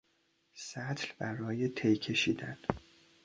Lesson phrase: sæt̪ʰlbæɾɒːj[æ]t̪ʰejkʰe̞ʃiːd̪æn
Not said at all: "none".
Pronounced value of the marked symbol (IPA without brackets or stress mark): e